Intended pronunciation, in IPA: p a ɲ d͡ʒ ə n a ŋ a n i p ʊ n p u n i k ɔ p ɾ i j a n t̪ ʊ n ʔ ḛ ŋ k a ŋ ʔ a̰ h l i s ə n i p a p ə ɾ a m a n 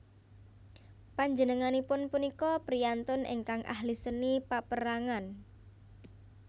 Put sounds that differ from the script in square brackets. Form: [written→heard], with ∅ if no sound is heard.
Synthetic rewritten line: p a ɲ d͡ʒ ə n [a→ə] ŋ a n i p ʊ n p u n i k ɔ p ɾ i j a n t̪ ʊ n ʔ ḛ ŋ k a ŋ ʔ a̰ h l i s ə n i p a p ə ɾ a [m→ŋ] a n

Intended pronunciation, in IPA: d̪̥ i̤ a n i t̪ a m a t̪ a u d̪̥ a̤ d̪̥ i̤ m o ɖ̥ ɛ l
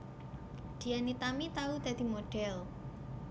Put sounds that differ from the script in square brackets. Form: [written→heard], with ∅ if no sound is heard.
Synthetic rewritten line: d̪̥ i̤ a n i t̪ a m [a→i] t̪ a u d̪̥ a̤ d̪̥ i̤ m o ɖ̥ ɛ l

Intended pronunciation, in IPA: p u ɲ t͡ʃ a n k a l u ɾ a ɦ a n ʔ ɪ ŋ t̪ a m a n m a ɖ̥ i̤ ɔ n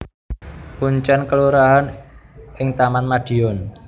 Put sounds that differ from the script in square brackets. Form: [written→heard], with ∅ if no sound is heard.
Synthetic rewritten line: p u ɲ t͡ʃ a n k [a→ə] l u ɾ a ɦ a n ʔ ɪ ŋ t̪ a m a n m a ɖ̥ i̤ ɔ n

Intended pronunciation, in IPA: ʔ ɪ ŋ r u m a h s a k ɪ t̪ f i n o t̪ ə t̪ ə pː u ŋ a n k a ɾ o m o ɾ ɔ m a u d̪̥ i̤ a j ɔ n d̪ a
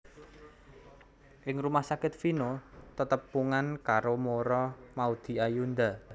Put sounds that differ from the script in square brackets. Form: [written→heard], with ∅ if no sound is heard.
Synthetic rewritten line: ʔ ɪ ŋ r u m a h s a k ɪ t̪ f i n o t̪ ə t̪ ə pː u ŋ a n k a ɾ o m o ɾ ɔ m a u d̪̥ i̤ a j [ɔ→u] n d̪ a

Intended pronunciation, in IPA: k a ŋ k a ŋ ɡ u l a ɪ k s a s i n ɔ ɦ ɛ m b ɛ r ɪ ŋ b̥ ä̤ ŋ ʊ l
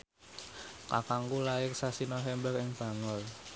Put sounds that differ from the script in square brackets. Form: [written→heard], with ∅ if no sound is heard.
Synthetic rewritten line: k a [ŋ→∅] k a ŋ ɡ u l a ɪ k s a s i n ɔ ɦ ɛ m b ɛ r ɪ ŋ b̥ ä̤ ŋ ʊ l

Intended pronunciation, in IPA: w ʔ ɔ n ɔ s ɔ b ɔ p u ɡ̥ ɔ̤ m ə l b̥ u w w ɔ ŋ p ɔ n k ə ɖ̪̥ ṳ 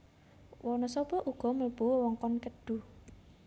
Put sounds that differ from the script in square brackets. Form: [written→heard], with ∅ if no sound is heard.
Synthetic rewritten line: w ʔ ɔ n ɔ s ɔ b ɔ [p→ʔ] u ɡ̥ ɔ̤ m ə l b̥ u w w ɔ ŋ [p→k] ɔ n k ə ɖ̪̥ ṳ

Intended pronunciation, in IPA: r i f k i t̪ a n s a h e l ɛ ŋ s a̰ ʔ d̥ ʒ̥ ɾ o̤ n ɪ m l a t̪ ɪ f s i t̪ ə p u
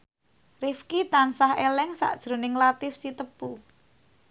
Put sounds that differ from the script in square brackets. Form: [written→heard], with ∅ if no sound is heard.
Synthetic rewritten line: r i f k i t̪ a n s a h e l ɛ ŋ s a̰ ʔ d̥ ʒ̥ ɾ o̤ n ɪ [m→ŋ] l a t̪ ɪ f s i t̪ ə p u

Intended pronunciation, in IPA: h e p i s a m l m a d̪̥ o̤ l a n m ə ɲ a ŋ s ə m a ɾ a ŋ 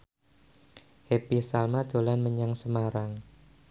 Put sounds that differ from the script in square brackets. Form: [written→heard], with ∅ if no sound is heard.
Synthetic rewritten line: h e p i s a [m→∅] l m a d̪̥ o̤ l a n m ə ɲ a ŋ s ə m a ɾ a ŋ

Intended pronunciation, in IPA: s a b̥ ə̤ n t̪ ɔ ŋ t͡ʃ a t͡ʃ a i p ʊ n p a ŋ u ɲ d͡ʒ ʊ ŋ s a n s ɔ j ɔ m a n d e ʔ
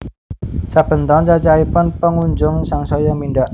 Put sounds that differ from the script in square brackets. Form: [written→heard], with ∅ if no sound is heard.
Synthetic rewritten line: s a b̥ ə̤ n t̪ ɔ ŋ t͡ʃ a t͡ʃ a i p ʊ n p [a→ə] ŋ u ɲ d͡ʒ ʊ ŋ s a [n→ŋ] s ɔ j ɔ m [a→i] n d [e→a] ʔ

